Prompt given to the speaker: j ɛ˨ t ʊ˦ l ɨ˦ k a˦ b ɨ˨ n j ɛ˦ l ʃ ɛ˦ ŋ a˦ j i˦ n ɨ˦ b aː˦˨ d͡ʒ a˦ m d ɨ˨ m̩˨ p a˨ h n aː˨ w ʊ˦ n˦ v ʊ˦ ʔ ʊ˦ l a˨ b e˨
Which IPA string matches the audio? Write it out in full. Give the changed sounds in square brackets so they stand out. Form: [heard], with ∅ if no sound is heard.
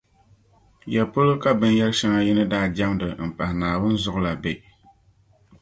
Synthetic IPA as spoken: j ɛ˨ [p] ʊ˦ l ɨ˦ k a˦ b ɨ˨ n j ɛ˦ l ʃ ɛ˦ ŋ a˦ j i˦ n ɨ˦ [d] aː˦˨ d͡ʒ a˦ m d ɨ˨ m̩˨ p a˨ h n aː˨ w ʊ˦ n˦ [z] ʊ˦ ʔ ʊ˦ l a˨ b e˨

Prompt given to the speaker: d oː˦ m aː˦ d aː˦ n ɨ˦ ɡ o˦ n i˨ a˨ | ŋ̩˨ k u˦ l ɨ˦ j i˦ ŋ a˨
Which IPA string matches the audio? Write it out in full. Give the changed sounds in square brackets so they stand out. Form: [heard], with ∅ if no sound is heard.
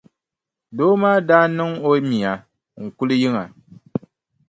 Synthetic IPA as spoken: d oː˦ m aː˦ d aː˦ n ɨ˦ [ŋ] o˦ [m] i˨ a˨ | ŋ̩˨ k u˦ l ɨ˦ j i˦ ŋ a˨

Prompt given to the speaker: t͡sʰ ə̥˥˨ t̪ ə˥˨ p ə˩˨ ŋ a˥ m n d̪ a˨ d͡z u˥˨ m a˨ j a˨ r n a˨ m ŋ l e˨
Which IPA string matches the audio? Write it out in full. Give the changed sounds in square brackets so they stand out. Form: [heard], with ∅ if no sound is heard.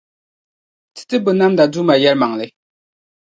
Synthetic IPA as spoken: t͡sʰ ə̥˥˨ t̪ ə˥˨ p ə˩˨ [n] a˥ m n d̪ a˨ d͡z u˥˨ m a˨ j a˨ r [m] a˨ [∅] ŋ l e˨

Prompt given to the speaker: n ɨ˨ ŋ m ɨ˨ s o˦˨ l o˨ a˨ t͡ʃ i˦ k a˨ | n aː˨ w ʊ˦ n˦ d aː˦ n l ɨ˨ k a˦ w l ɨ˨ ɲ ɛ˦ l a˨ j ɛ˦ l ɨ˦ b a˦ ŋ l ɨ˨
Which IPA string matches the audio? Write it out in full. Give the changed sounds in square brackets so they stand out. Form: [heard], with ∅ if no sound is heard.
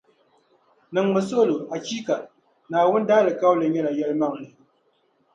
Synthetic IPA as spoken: n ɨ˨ ŋ m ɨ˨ s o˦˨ l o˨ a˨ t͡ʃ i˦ k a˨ | n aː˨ w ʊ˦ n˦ d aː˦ [∅] l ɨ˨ k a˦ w l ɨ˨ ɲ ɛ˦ l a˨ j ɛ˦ l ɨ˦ [m] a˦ ŋ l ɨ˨

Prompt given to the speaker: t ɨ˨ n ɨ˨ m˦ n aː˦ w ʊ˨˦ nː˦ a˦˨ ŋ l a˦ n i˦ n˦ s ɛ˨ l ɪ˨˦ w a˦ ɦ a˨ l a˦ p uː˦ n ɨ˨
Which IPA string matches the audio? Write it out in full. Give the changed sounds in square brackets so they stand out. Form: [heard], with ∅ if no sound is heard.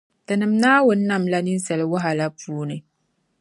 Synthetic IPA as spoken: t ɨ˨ n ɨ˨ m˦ n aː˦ w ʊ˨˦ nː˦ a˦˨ [m] l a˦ n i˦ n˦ s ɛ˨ l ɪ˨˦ w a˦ ɦ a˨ l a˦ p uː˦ n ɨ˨

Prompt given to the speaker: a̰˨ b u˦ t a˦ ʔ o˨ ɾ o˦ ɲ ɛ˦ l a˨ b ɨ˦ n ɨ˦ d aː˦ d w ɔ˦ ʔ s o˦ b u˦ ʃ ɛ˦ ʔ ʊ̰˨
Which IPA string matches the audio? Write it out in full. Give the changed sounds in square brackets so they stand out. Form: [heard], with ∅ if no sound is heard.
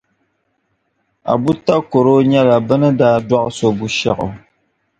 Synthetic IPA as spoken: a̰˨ b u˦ t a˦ [k] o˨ ɾ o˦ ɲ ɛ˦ l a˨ b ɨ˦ n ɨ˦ d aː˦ d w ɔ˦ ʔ s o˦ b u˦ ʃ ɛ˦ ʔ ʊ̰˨

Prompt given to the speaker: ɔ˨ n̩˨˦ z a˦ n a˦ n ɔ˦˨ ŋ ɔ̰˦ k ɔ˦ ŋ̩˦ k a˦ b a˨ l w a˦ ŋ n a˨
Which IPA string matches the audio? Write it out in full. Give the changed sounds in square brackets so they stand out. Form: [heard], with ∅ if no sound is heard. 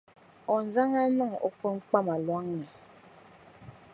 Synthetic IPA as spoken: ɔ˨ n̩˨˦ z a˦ [ŋ] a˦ n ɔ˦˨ ŋ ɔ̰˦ k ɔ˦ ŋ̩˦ [k͡p] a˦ [m] a˨ l w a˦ ŋ n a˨

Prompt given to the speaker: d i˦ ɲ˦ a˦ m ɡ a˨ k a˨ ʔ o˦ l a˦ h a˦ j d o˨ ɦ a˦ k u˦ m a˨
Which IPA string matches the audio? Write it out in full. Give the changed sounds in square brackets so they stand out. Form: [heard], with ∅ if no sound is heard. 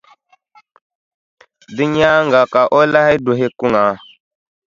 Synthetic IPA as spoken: d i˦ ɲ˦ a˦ [ŋ] ɡ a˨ k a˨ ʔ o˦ l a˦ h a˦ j d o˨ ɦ [e˦] k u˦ [ŋ] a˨

